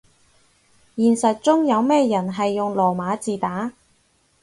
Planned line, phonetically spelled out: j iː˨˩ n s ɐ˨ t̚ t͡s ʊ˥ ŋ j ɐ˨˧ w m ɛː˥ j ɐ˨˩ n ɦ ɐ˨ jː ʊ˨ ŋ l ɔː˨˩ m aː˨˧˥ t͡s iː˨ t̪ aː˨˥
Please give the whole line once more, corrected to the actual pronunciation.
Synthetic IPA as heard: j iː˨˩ n s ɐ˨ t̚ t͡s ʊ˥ ŋ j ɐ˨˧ w m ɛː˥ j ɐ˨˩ n ɦ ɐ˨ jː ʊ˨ ŋ l ɔː˨˩ m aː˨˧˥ t͡s iː˨ t̪ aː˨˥